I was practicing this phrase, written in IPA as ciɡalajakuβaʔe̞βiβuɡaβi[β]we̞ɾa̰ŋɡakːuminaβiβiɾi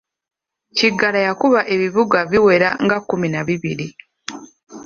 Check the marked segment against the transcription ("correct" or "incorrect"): incorrect